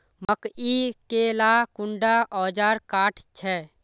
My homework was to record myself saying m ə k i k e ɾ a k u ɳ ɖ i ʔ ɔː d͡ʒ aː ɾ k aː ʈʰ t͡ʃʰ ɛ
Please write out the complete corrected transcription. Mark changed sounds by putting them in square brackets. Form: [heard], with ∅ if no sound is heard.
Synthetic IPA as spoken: m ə k i k e [l] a k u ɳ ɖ [a] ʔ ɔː d͡ʒ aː ɾ k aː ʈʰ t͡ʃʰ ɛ